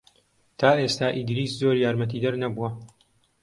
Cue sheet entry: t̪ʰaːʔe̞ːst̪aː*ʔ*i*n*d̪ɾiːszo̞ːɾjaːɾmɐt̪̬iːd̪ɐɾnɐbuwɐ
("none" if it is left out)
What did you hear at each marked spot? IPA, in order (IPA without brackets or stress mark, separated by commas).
ʔ, none